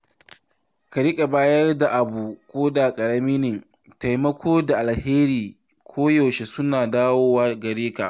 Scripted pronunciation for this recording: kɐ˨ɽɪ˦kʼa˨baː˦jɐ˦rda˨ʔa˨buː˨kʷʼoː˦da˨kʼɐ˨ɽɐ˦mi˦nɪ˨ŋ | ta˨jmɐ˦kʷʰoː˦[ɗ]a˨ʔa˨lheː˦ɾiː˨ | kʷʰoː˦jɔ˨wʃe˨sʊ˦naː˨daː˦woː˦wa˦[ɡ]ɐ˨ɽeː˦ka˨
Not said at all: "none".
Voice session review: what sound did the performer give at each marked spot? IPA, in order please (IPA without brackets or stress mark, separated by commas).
d, ɡ